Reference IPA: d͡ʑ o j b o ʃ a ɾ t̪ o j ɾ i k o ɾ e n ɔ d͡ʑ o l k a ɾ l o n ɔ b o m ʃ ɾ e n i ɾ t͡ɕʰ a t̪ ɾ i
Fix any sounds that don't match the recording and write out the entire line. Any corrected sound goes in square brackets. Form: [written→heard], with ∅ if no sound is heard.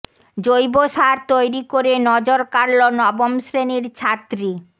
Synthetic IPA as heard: d͡ʑ o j b o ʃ a ɾ t̪ o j ɾ i k o ɾ e n ɔ d͡ʑ o [l→ɾ] k a ɾ l o n ɔ b o m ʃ ɾ e n i ɾ t͡ɕʰ a t̪ ɾ i